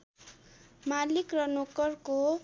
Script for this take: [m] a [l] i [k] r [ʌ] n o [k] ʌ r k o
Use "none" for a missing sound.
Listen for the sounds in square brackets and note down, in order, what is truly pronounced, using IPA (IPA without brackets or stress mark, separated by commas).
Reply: m, l, k, ʌ, k